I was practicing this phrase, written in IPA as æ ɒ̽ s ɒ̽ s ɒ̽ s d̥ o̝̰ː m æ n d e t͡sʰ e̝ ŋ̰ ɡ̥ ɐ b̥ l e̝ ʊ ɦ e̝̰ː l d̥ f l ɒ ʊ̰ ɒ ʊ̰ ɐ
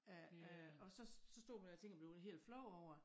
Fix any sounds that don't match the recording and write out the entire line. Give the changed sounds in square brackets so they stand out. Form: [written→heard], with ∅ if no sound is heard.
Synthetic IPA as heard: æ ɒ̽ s ɒ̽ s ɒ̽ s d̥ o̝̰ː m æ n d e t͡sʰ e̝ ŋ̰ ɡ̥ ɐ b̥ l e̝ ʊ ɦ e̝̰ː l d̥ f l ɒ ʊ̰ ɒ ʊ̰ ɐ

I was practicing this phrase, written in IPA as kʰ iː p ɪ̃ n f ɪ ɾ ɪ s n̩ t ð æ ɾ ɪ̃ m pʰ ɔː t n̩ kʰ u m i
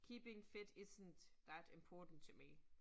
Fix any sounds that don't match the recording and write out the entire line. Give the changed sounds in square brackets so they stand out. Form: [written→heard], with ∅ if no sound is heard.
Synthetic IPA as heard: kʰ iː p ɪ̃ [n→ŋ] f ɪ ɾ ɪ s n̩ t ð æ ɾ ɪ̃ m pʰ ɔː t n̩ [kʰ→tʰ] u m i

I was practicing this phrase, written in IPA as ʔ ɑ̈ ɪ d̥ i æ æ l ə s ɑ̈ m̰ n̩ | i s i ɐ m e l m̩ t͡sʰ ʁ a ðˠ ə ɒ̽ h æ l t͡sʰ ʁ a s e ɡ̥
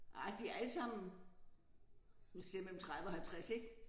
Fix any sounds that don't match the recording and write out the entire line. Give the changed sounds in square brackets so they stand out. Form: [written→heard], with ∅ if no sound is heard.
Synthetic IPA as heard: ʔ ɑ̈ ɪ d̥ i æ æ l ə s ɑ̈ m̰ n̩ | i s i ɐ m e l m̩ t͡sʰ ʁ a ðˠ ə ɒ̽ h æ l t͡sʰ ʁ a s e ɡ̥

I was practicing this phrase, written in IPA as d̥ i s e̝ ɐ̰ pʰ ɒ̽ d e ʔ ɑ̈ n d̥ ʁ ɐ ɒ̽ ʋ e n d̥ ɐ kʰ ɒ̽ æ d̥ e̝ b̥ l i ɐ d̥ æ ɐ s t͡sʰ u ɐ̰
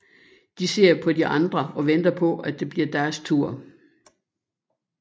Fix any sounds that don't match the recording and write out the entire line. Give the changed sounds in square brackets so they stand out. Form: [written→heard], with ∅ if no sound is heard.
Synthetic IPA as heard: d̥ i s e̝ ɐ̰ pʰ ɒ̽ d [e→i] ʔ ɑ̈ n d̥ ʁ ɐ ɒ̽ ʋ e n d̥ ɐ [kʰ→pʰ] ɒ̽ æ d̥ e̝ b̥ l i ɐ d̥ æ ɐ s t͡sʰ u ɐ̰

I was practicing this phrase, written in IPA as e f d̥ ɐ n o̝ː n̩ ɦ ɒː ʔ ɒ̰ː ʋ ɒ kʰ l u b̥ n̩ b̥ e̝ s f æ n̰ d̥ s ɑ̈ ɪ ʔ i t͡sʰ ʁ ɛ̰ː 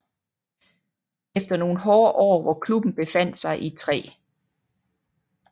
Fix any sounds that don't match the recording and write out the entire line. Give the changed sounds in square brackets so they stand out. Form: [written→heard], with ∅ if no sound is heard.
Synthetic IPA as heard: e f d̥ ɐ n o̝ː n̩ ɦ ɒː ʔ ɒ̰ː ʋ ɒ kʰ l u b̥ n̩ b̥ e̝ [s→∅] f æ n̰ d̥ s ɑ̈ ɪ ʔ i t͡sʰ ʁ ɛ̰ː

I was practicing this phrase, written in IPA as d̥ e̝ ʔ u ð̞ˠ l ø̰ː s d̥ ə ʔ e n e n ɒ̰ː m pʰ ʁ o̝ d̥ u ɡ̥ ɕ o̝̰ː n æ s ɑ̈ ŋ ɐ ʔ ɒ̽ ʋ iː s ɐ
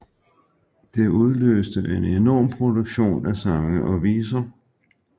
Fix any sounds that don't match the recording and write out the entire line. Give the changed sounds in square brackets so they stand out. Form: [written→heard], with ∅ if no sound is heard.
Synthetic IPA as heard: d̥ e̝ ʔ u ð̞ˠ l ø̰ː s d̥ ə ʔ e n e n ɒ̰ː m pʰ ʁ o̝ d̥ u ɡ̥ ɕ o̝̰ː n æ s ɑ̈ ŋ [ɐ→ə] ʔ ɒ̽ ʋ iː s ɐ

